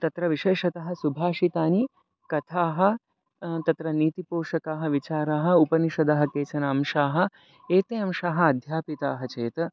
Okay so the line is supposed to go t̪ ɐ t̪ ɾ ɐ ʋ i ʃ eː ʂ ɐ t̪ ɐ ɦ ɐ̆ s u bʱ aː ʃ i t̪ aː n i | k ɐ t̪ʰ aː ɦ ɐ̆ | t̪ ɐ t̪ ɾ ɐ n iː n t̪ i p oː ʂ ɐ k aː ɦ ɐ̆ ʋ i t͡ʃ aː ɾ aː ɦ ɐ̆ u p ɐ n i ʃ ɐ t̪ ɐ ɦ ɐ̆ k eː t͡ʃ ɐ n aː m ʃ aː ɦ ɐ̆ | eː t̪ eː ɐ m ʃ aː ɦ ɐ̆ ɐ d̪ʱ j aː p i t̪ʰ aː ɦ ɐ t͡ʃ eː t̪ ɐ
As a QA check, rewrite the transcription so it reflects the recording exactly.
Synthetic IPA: t̪ ɐ t̪ ɾ ɐ ʋ i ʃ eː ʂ ɐ t̪ ɐ ɦ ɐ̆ s u bʱ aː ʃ i t̪ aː n i | k ɐ t̪ʰ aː ɦ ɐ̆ | t̪ ɐ t̪ ɾ ɐ n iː t̪ i p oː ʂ ɐ k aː ɦ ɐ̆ ʋ i t͡ʃ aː ɾ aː ɦ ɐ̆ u p ɐ n i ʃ ɐ d̪ ɐ ɦ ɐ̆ k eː t͡ʃ ɐ n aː m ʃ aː ɦ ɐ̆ | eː t̪ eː ɐ m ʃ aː ɦ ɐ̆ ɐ d̪ʱ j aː p i t̪ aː ɦ ɐ t͡ʃ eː t̪ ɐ

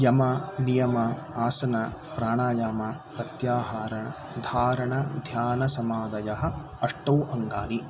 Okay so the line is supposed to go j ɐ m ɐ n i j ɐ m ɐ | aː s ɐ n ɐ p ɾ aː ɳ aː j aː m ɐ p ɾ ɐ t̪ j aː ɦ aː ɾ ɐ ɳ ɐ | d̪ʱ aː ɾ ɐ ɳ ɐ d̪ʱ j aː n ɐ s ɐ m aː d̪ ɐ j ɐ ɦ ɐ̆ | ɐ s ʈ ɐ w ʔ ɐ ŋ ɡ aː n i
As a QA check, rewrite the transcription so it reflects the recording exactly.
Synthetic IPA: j ɐ m ɐ n i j ɐ m ɐ | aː s ɐ n ɐ p ɾ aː ɳ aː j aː m ɐ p ɾ ɐ t̪ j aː ɦ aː ɾ ɐ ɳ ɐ | d̪ʱ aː ɾ ɐ ɳ ɐ d̪ʱ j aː n ɐ s ɐ m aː d̪ ɐ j ɐ ɦ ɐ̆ | ɐ ʂ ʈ ɐ w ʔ ɐ ŋ ɡ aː n i

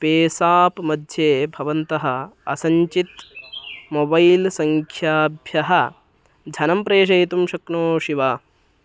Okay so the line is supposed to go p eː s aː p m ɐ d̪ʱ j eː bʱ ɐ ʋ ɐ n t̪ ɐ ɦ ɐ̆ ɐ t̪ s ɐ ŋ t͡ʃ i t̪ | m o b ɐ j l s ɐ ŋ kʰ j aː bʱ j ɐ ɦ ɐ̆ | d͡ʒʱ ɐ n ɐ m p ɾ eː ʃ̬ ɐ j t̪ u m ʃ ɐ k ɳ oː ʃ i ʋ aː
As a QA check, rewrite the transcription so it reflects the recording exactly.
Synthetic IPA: p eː s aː p m ɐ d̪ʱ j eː bʱ ɐ ʋ ɐ n t̪ ɐ ɦ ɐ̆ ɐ s ɐ ɲ t͡ʃ i t̪ | m o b ɐ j l s ɐ ŋ kʰ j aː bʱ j ɐ ɦ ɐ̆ | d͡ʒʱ ɐ n ɐ m p ɾ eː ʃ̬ ɐ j t̪ u m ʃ ɐ k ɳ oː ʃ i ʋ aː

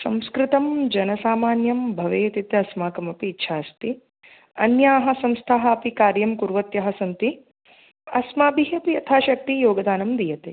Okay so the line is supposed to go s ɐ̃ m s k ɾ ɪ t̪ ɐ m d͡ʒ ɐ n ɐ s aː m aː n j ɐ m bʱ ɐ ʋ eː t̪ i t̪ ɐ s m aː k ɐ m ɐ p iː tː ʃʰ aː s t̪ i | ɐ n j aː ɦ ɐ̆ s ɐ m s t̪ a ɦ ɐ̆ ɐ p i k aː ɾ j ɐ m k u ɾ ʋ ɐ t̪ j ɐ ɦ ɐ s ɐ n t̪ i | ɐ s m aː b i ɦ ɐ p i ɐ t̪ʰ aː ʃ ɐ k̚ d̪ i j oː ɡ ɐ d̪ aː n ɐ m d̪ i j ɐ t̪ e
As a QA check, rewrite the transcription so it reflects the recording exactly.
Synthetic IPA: s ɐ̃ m s k ɾ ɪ t̪ ɐ m d͡ʒ ɐ n ɐ s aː m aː n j ɐ m bʱ ɐ ʋ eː t̪ i t̪ ɐ s m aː k ɐ m ɐ p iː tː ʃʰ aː s t̪ i | ɐ n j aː ɦ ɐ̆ s ɐ m s t̪ʰ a ɦ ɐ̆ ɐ p i k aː ɾ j ɐ m k u ɾ ʋ ɐ t̪ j ɐ ɦ ɐ s ɐ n t̪ i | ɐ s m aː b i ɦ ɐ p i ɐ t̪ʰ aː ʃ ɐ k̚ t̪ i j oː ɡ ɐ d̪ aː n ɐ m d̪ i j ɐ t̪ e

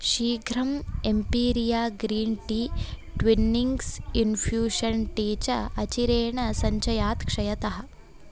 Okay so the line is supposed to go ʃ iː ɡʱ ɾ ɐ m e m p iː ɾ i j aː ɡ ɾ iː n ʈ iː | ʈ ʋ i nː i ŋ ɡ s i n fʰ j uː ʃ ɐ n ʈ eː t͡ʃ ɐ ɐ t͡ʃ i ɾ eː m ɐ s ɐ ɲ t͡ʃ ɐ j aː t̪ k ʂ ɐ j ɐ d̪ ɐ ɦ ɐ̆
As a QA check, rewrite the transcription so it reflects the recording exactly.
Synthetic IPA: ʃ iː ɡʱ ɾ ɐ m e m p iː ɾ i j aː ɡ ɾ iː n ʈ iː | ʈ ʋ i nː i ŋ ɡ s i n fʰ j uː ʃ ɐ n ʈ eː t͡ʃ ɐ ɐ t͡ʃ i ɾ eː ɳ ɐ s ɐ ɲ t͡ʃ ɐ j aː t̪ k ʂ ɐ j ɐ t̪ ɐ ɦ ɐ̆

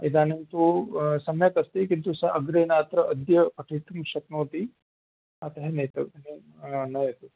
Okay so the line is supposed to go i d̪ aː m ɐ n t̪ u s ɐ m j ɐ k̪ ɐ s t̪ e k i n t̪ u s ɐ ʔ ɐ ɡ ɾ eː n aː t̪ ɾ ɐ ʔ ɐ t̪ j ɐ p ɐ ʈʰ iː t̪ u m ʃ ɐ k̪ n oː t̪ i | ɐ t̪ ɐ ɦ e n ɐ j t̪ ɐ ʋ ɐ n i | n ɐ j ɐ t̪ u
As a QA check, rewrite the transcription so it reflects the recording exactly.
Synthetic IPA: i d̪ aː n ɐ n t̪ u s ɐ m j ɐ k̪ ɐ s t̪ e k i n t̪ u s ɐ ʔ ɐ ɡ ɾ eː n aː t̪ ɾ ɐ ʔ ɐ d̪ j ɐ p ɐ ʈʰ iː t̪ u m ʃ ɐ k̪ n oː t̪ i | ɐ t̪ ɐ ɦ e n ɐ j t̪ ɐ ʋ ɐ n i | n ɐ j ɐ t̪ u

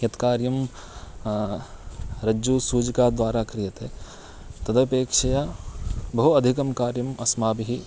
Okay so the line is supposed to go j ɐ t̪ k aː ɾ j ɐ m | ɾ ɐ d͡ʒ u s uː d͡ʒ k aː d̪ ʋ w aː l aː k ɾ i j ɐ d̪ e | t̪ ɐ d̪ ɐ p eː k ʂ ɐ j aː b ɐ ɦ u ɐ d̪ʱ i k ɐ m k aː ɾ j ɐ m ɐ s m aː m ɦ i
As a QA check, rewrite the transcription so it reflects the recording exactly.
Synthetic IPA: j ɐ t̪ k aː ɾ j ɐ m | ɾ ɐ d͡ʒ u s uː d͡ʒ k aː d̪ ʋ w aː ɾ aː k ɾ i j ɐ t̪ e | t̪ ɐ d̪ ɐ p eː k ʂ ɐ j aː b ɐ ɦ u ɐ d̪ʱ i k ɐ m k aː ɾ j ɐ m ɐ s m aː b ɦ i

